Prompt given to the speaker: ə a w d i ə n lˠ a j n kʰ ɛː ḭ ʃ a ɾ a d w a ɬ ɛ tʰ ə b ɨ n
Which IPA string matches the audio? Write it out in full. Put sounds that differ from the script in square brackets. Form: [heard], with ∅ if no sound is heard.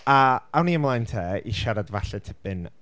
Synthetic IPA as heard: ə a w [n] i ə [m] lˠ a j n [tʰ] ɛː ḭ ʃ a ɾ a d [v] a ɬ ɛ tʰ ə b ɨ n